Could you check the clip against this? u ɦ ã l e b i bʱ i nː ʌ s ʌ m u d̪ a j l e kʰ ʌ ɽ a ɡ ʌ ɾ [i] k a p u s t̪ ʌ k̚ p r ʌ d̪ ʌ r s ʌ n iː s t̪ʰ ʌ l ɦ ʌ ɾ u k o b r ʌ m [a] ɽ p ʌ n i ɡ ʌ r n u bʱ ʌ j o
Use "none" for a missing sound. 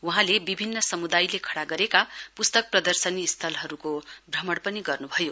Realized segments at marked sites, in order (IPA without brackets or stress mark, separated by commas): e, ʌ